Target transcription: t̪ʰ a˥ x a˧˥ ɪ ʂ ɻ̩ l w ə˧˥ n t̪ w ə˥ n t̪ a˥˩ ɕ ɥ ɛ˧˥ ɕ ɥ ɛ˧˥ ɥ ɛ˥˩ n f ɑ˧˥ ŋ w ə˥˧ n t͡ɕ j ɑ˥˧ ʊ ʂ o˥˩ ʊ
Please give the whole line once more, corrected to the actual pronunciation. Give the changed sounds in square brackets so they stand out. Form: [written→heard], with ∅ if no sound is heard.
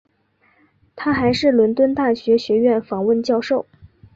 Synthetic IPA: t̪ʰ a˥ x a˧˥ ɪ ʂ ɻ̩ l w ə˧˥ n t̪ w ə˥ n t̪ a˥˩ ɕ ɥ ɛ˧˥ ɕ ɥ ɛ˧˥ ɥ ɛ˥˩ n f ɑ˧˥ ŋ w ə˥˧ n t͡ɕ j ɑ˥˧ ʊ ʂ o˥˩ ʊ